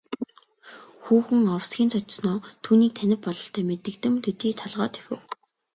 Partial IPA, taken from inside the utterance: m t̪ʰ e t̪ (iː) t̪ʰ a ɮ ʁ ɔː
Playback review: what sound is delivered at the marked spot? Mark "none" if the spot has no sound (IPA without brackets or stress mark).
iː